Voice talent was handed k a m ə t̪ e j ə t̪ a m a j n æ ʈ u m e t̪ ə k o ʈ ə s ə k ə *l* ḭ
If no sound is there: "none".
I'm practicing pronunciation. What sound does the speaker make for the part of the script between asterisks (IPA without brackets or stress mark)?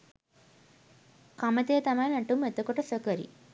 ɾ